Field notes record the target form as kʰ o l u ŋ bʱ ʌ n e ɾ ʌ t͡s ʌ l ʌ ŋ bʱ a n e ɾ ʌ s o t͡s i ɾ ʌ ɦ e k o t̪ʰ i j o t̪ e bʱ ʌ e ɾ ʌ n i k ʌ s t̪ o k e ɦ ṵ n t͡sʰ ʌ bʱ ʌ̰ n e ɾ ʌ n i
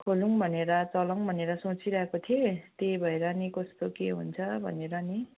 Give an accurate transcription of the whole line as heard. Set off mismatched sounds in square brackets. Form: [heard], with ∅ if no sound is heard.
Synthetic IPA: kʰ o l u ŋ bʱ ʌ n e ɾ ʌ t͡s ʌ l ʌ ŋ bʱ [ʌ] n e ɾ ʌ s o t͡s i ɾ ʌ ɦ e k o t̪ʰ i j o t̪ e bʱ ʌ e ɾ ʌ n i k ʌ s t̪ o k e ɦ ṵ n t͡sʰ ʌ bʱ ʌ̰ n e ɾ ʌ n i